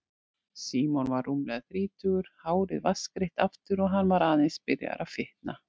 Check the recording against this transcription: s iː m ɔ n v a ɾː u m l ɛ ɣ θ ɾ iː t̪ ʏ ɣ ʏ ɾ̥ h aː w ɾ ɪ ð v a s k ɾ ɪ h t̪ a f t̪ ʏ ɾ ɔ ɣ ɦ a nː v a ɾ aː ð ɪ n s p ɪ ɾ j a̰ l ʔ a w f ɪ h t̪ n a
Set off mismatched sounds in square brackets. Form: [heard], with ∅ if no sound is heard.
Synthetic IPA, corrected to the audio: s iː m ɔ n v a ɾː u m l ɛ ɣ θ ɾ iː t̪ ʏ ɣ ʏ ɾ̥ h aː w ɾ ɪ ð v a s k ɾ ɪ h t̪ a f t̪ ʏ ɾ ɔ ɣ ɦ a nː v a ɾ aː ð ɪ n s p ɪ ɾ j a̰ [ɾ] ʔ a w f ɪ h t̪ n a